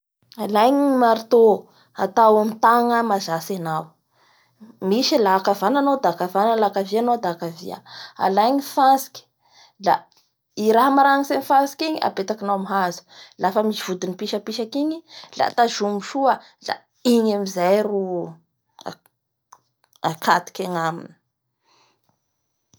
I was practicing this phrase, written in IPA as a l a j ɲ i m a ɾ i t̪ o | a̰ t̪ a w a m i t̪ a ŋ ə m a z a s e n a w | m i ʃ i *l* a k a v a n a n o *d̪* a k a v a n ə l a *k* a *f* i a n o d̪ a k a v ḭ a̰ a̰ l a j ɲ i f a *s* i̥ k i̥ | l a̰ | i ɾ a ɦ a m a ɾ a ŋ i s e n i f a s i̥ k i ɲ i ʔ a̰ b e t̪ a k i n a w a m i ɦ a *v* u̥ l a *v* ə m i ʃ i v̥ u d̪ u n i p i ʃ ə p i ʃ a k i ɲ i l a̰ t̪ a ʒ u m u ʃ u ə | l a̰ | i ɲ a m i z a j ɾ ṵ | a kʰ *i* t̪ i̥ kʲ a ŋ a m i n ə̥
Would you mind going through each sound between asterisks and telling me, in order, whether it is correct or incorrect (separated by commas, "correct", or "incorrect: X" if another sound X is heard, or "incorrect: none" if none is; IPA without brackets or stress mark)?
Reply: correct, correct, correct, incorrect: v, correct, incorrect: z, incorrect: f, incorrect: a